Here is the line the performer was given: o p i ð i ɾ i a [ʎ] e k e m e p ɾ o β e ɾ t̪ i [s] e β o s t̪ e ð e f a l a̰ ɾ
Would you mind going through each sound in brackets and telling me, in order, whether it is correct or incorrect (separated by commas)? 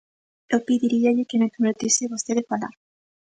correct, correct